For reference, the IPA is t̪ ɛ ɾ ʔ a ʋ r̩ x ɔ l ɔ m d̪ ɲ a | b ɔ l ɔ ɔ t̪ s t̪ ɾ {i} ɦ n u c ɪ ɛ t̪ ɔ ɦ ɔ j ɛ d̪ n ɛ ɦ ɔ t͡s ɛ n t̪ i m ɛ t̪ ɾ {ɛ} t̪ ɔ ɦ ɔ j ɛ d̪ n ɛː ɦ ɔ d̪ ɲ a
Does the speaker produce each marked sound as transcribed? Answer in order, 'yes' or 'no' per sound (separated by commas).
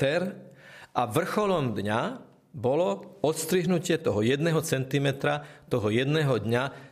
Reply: yes, no